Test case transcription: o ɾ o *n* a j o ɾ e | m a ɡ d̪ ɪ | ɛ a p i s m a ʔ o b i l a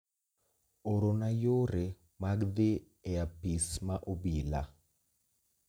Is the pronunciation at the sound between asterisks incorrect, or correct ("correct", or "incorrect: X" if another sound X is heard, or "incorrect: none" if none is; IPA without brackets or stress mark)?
correct